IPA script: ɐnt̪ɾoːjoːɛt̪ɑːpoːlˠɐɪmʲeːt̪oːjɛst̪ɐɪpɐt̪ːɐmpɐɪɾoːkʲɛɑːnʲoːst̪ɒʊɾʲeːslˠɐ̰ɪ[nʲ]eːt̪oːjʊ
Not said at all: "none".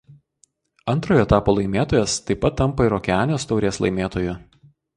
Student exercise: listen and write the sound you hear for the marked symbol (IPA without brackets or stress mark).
mʲ